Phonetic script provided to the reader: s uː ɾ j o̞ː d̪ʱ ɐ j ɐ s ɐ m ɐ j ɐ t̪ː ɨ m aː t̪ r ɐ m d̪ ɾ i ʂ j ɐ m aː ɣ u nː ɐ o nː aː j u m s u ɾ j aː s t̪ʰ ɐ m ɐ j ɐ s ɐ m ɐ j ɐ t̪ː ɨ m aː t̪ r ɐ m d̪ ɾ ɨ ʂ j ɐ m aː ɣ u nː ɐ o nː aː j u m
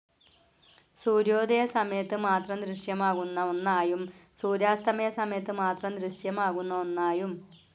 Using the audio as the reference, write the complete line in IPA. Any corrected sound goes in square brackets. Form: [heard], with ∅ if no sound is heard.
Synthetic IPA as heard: s uː ɾ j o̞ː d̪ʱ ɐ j ɐ s ɐ m ɐ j ɐ t̪ː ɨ m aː t̪ r ɐ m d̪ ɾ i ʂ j ɐ m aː ɣ u nː ɐ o nː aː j u m s [uː] ɾ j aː s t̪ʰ ɐ m ɐ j ɐ s ɐ m ɐ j ɐ t̪ː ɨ m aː t̪ r ɐ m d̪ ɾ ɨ ʂ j ɐ m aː ɣ u nː ɐ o nː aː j u m